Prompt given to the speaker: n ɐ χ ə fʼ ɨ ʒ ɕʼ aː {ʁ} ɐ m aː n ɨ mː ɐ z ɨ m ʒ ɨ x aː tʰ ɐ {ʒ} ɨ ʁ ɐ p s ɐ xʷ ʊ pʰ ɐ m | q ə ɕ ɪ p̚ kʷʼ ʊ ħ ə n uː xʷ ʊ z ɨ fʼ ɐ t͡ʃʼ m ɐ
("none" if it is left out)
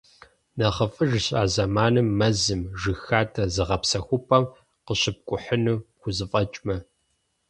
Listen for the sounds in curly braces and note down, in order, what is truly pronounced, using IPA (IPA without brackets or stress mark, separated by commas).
z, z